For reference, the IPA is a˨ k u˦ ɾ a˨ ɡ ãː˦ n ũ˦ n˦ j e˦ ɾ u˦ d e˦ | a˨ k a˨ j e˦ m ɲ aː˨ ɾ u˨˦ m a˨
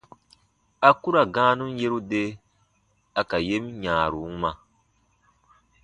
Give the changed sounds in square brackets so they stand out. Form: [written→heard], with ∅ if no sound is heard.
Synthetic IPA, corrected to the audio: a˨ k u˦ ɾ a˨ ɡ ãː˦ n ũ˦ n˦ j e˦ ɾ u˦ d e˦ | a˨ k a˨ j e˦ m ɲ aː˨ ɾ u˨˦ m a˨